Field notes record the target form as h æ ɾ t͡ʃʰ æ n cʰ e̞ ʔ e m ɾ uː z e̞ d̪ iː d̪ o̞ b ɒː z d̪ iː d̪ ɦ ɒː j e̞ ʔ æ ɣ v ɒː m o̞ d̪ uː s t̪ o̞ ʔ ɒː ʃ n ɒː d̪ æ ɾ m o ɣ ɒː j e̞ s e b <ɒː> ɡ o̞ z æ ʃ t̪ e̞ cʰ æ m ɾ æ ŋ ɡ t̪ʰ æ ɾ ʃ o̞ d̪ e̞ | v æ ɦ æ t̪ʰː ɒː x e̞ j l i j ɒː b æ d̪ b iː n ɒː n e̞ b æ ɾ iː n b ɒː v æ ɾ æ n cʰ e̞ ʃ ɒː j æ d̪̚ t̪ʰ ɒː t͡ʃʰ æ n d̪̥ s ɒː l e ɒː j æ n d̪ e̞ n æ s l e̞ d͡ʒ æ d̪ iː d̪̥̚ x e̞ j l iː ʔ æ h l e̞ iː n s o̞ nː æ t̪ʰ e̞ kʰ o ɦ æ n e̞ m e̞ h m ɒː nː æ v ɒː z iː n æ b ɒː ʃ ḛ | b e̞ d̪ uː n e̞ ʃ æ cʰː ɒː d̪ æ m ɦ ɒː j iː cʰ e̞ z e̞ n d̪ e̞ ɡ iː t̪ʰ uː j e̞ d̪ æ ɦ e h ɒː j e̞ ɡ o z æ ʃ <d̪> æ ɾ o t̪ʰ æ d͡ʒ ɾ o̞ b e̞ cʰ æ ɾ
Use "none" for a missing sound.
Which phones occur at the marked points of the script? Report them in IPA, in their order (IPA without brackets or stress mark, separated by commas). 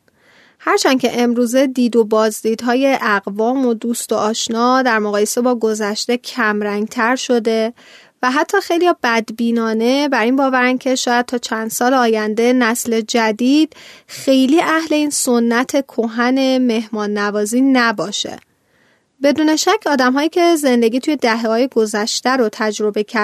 ɒː, t̪